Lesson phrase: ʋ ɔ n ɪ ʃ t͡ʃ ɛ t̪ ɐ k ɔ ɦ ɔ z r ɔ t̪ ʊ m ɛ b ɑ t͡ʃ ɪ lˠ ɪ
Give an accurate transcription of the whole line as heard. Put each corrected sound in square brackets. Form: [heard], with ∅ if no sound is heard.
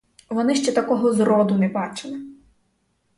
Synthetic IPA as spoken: ʋ ɔ n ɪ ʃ t͡ʃ ɛ t̪ ɐ k ɔ ɦ ɔ z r ɔ [d̪] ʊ [n] ɛ b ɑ t͡ʃ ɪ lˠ ɪ